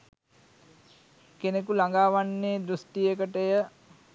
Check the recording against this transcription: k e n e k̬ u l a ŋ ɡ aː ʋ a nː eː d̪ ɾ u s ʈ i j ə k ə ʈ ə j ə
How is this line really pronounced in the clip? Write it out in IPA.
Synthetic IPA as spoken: k e n e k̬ u l a ŋ ɡ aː ʋ a nː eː d̪ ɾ u s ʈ i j ə k ə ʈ ə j ə

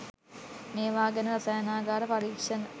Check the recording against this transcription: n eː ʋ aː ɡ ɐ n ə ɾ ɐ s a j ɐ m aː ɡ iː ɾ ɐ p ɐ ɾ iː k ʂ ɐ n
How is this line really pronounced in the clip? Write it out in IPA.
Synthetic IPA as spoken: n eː ʋ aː ɡ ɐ n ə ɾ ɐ s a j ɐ n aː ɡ aː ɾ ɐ p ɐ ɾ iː k ʂ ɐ n

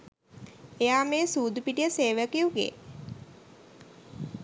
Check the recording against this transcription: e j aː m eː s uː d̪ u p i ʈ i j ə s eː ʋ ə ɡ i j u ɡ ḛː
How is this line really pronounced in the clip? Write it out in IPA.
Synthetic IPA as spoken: e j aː m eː s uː d̪ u p i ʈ i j ə s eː ʋ ə k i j u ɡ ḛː

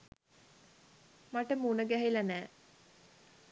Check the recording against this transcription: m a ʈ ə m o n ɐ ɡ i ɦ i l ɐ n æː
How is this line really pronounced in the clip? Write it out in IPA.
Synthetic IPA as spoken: m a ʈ ə m u n ə ɡ æ ɦ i l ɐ n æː

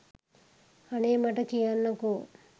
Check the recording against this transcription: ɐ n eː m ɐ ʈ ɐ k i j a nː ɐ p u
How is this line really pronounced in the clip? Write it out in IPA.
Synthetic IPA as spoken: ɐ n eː m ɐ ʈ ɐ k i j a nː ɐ k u

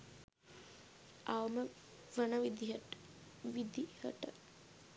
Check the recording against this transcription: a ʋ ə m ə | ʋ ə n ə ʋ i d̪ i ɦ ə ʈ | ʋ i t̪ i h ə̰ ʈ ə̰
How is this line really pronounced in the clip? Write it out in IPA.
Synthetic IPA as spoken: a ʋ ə m ə | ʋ ə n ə ʋ i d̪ i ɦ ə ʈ | ʋ i d̪ i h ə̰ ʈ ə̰

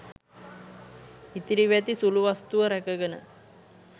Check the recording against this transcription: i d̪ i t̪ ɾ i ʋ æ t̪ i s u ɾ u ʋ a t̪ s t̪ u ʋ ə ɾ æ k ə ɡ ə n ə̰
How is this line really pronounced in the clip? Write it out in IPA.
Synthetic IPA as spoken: i t̪ i ɾ i ʋ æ t̪ i s u l u ʋ a s t̪ u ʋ ə ɾ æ k ə ɡ ə n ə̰

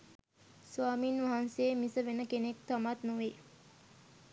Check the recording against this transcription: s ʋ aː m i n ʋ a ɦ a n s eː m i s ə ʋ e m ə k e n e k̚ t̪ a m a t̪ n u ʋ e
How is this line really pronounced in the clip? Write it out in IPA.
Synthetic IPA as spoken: s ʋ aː m i n ʋ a ɦ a n s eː m i s ə ʋ e n ə k e n e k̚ t̪ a m a t̪ n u ʋ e

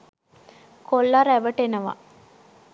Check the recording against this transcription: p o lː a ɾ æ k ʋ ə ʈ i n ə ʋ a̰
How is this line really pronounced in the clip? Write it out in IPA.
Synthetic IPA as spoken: k o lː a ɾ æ ʋ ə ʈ e n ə ʋ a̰

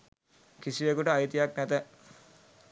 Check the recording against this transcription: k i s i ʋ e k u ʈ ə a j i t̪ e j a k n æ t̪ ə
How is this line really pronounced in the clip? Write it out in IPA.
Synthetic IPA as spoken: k i s i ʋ e k u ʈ ə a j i t̪ i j a k n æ t̪ ə

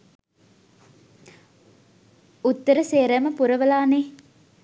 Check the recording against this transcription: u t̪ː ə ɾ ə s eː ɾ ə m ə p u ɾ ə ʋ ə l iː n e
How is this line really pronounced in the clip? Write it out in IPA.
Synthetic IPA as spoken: u t̪ː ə ɾ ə s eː ɾ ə m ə p u ɾ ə ʋ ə l aː n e

